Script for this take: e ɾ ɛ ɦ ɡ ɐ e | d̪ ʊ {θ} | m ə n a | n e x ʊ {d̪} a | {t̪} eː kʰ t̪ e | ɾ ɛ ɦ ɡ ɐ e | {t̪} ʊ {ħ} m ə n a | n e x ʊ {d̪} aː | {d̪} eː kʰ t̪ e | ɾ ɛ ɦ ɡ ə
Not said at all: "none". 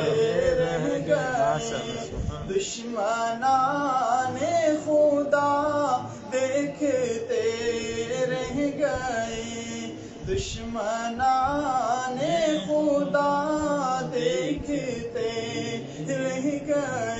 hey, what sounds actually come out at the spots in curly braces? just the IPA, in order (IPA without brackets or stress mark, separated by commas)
ʃ, d̪, d̪, d̪, ʃ, d̪, d̪